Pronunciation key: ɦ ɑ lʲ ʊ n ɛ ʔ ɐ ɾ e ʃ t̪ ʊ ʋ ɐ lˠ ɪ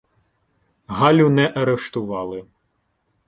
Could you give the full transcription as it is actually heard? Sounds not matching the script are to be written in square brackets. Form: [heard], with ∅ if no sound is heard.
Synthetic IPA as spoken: ɦ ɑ lʲ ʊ n ɛ ʔ ɐ ɾ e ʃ t̪ ʊ ʋ [ɑ] lˠ ɪ